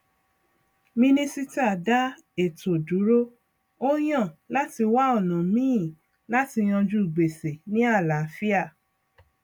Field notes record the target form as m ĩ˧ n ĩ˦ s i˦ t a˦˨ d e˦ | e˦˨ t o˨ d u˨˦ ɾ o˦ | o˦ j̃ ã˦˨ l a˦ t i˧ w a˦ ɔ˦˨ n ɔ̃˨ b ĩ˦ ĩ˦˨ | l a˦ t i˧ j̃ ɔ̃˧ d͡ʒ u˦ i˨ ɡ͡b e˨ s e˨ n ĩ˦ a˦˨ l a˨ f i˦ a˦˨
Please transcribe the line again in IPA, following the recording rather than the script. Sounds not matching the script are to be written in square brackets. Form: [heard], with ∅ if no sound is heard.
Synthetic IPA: m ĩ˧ n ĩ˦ s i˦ t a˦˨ d [a˦] | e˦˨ t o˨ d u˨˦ ɾ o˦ | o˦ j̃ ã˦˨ l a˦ t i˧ w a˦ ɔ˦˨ n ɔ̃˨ [m] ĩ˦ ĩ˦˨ | l a˦ t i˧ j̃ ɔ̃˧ d͡ʒ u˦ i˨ ɡ͡b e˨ s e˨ n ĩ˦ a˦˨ l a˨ f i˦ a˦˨